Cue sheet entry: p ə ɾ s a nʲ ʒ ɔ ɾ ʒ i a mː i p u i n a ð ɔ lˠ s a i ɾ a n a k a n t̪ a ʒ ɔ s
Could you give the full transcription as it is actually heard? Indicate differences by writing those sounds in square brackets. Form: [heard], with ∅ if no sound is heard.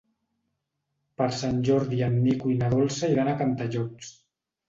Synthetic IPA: p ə ɾ s a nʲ ʒ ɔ ɾ [ð] i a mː i [k] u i n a ð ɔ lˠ s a i ɾ a n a k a n t̪ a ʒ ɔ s